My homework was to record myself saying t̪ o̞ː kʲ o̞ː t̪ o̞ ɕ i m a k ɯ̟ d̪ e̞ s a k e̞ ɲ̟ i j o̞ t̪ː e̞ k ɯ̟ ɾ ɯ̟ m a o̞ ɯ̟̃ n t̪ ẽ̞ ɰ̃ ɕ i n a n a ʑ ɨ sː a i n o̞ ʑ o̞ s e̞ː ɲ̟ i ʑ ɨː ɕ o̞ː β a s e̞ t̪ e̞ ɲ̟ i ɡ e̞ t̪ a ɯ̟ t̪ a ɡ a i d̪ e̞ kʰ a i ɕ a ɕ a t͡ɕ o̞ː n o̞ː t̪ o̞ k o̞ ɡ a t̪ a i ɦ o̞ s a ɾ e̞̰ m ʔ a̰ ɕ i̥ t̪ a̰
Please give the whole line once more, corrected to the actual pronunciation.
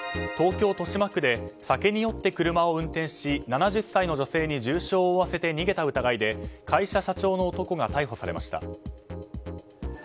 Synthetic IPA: t̪ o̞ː kʲ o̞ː t̪ o̞ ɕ i m a k ɯ̟ d̪ e̞ s a k e̞ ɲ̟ i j o̞ t̪ː e̞ k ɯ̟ ɾ ɯ̟ m a o̞ ɯ̟̃ n t̪ ẽ̞ ɰ̃ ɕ i n a n a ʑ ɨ sː a i n o̞ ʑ o̞ s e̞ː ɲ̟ i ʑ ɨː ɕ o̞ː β a s e̞ t̪ e̞ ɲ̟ i ɡ e̞ t̪ a ɯ̟ t̪ a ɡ a i d̪ e̞ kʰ a i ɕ a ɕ a t͡ɕ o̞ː n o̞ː t̪ o̞ k o̞ ɡ a t̪ a i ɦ o̞ s a ɾ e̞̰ m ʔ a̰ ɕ i̥ t̪ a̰